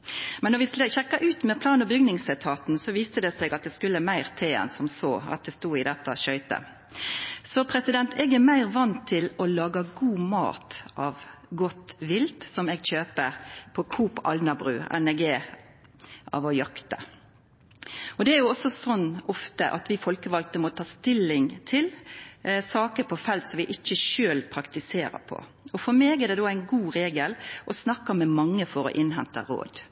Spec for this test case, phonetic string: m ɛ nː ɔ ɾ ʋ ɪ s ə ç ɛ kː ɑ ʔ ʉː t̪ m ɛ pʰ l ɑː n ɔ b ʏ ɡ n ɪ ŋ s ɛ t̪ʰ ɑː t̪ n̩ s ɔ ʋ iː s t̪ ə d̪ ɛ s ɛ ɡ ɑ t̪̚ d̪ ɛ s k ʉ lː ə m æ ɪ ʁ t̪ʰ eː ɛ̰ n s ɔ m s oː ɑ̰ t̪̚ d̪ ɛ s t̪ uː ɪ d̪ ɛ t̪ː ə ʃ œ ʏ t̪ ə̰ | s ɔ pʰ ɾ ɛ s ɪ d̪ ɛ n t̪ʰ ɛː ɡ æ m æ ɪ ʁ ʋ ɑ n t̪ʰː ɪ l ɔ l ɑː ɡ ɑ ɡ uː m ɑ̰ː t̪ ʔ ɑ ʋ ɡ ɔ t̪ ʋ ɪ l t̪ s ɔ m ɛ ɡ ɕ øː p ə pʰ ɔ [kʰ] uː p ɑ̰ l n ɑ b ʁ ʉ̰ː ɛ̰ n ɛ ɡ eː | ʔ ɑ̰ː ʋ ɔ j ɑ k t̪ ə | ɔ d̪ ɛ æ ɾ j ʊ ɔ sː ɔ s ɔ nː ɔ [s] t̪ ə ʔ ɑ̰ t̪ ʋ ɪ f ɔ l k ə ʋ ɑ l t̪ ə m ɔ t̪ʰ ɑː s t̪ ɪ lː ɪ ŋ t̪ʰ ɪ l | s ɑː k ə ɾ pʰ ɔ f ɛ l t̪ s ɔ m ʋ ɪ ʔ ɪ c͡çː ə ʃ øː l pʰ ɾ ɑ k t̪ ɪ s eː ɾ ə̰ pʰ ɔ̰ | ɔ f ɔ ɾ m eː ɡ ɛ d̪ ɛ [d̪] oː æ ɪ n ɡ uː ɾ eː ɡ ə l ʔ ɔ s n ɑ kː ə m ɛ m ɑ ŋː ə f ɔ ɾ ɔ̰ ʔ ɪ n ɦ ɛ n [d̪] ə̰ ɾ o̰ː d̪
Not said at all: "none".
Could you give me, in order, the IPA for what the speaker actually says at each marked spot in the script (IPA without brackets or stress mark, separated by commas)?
kʰ, f, d̪, t̪